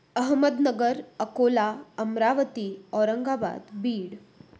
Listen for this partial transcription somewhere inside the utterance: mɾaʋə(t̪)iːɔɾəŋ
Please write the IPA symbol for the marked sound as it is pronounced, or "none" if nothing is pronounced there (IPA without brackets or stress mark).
t̪